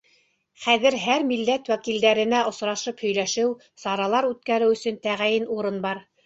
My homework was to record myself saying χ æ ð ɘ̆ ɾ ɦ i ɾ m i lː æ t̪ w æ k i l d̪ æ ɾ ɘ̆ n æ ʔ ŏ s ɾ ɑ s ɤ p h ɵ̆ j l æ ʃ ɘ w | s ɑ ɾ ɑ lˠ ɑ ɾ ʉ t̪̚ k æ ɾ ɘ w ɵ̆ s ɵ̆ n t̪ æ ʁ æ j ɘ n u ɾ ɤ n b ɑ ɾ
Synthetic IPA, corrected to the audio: χ æ ð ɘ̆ ɾ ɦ æ ɾ m i lː æ t̪ w æ k i l d̪ æ ɾ ɘ̆ n æ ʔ ŏ s ɾ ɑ ʃ ɤ p h ɵ̆ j l æ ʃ ɘ w | s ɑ ɾ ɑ lˠ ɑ ɾ ʉ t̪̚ k æ ɾ ɘ w ɵ̆ s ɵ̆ n t̪ æ ʁ æ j ɘ n u ɾ ɤ n b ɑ ɾ